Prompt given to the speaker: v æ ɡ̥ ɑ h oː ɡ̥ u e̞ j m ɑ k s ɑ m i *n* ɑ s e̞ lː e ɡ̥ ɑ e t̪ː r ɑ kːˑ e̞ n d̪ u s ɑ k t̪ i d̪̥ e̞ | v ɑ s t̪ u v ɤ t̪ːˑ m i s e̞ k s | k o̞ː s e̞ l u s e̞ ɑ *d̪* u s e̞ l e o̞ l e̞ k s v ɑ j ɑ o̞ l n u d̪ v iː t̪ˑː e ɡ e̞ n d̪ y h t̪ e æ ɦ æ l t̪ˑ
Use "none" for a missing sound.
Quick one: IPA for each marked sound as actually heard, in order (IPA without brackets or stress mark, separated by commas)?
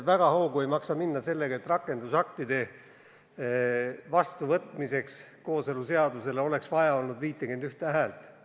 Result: nː, d̪